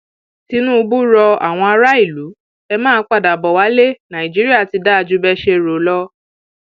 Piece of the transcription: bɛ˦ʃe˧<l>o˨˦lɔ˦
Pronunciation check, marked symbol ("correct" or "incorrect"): incorrect